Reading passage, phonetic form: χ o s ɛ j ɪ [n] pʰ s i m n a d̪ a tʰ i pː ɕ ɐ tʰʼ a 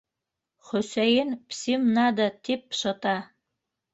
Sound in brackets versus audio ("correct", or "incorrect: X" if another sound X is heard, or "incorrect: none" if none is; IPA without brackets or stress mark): correct